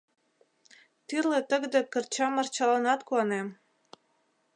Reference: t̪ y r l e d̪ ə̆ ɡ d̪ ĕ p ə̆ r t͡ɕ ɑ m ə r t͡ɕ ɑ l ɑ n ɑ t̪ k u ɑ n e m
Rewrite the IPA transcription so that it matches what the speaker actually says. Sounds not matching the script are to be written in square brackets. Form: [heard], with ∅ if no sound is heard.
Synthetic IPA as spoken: t̪ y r l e [t̪] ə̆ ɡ d̪ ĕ [k] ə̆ r t͡ɕ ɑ m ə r t͡ɕ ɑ l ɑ n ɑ t̪ k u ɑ n e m